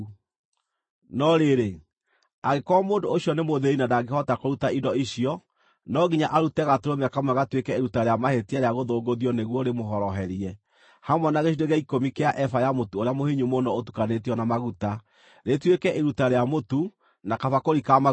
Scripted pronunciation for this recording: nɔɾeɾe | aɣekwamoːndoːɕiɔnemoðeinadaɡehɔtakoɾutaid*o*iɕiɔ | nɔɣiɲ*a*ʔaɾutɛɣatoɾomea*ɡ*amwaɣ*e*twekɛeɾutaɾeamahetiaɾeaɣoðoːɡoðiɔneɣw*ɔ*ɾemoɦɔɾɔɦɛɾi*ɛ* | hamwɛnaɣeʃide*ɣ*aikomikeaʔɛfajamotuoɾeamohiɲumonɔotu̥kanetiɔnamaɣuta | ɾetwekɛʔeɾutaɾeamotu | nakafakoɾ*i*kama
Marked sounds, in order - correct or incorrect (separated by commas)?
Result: incorrect, correct, incorrect, incorrect, correct, correct, correct, correct